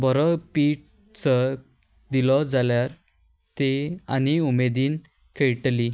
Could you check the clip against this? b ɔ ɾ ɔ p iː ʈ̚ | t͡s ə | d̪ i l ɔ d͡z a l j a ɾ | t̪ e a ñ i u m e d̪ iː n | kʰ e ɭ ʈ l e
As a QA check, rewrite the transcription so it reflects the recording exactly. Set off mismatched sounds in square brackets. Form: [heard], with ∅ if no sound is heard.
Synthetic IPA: b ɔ ɾ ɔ p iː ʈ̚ | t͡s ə | d̪ i l ɔ d͡z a l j a ɾ | t̪ e a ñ i u m e d̪ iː n | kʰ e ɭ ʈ l [i]